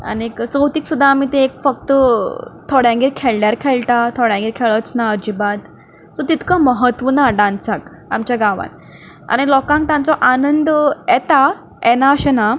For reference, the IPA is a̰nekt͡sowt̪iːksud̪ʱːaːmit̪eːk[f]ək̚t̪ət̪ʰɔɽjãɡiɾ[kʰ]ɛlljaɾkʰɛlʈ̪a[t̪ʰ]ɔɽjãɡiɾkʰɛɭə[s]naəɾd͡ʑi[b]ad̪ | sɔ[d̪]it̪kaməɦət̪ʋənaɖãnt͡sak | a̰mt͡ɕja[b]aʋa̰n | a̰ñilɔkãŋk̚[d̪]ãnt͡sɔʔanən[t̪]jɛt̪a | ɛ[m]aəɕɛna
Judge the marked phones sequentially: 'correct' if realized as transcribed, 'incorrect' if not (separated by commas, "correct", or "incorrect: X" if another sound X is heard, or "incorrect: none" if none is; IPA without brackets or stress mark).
correct, correct, correct, incorrect: t͡s, correct, incorrect: t̪, incorrect: ɡ, incorrect: t̪, incorrect: d̪, incorrect: n